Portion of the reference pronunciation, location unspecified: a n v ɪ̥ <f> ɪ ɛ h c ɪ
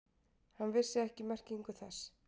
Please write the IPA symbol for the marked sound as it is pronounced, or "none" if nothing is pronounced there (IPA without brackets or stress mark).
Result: s